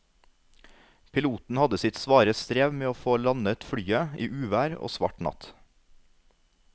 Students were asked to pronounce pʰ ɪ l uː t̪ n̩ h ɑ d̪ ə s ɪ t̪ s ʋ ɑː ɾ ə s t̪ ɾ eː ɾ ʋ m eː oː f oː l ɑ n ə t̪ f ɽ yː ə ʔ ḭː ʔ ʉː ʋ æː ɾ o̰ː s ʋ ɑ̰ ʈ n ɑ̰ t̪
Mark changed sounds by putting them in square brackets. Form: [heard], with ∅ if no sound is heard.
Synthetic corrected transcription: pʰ ɪ l uː t̪ n̩ h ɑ d̪ ə s ɪ t̪ s ʋ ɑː ɾ ə s t̪ ɾ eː [∅] ʋ m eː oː f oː l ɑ n ə t̪ f ɽ yː ə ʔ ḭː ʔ ʉː ʋ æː ɾ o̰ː s ʋ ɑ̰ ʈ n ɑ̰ t̪